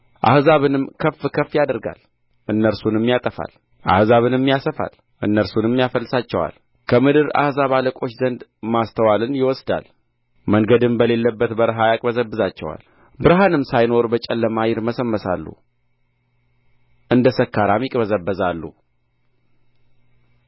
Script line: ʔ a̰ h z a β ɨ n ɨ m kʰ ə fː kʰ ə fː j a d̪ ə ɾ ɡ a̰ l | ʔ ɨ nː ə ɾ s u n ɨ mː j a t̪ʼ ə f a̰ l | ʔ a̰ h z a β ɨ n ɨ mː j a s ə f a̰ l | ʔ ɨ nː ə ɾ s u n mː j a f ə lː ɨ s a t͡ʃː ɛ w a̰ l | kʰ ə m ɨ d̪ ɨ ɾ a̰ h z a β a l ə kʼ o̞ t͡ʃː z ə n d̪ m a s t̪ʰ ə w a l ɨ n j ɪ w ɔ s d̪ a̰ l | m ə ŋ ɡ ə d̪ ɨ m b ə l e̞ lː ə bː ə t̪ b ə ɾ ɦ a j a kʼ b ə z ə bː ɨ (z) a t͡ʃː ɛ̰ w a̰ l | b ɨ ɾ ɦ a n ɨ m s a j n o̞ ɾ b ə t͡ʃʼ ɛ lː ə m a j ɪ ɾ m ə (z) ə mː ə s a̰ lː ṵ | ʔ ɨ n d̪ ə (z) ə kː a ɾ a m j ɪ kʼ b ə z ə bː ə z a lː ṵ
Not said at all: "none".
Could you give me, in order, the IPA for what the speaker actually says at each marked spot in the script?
z, s, s

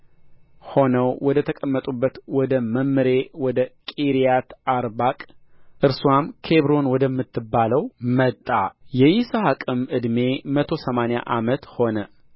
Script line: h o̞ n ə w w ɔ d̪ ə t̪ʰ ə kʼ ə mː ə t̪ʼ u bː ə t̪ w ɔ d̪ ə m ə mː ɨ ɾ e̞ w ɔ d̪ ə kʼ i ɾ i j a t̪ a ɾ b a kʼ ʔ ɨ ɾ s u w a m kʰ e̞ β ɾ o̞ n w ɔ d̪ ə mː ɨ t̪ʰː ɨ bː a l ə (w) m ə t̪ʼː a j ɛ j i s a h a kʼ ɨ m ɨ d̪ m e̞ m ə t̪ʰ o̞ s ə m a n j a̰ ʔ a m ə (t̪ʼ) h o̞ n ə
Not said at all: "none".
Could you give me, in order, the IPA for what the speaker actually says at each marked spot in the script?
w, t̪

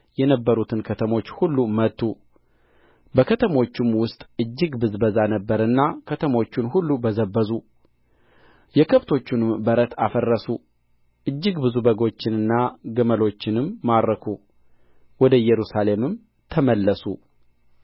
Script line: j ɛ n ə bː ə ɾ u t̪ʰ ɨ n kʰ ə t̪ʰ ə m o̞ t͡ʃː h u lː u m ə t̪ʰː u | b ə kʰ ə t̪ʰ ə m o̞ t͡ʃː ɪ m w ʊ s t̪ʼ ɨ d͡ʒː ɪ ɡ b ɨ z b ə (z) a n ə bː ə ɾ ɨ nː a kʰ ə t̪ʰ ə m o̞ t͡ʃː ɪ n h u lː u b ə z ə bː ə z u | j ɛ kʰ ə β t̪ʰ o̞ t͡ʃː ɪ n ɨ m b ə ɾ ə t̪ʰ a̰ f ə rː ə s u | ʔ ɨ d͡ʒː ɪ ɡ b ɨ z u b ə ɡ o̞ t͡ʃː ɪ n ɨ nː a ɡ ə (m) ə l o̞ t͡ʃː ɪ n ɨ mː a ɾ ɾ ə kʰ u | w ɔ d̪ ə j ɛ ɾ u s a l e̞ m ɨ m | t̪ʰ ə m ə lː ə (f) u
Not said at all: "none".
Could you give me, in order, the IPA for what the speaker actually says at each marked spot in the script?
z, m, s

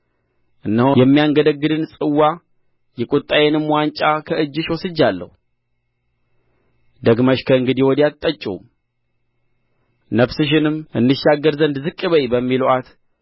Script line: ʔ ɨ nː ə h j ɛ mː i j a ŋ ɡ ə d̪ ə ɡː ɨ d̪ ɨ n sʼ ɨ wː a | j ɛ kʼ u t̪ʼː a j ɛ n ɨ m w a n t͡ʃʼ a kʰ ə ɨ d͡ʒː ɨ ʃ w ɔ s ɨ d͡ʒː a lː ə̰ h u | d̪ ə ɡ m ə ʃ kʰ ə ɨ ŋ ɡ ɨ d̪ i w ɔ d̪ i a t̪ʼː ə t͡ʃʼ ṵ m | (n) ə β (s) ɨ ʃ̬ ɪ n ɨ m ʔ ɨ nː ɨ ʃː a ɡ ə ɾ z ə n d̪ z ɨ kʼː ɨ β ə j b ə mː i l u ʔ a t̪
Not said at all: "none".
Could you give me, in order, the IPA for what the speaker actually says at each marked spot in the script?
n, s

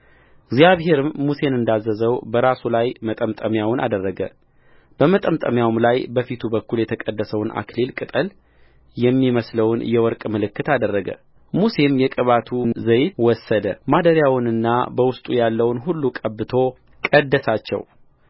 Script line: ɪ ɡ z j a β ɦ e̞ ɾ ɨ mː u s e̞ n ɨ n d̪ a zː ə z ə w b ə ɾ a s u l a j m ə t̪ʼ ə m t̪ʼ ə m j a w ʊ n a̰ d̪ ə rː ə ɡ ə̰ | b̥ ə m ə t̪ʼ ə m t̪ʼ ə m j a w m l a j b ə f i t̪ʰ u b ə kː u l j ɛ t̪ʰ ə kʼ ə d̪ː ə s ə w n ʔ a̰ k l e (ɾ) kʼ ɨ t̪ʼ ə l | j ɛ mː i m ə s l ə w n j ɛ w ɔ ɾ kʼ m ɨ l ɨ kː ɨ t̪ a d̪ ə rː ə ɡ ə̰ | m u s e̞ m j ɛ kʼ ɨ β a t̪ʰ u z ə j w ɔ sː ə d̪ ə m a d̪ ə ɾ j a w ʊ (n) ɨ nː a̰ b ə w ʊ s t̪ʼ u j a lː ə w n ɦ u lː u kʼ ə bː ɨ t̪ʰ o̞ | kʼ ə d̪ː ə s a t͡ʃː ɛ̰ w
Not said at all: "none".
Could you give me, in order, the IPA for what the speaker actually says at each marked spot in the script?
l, n

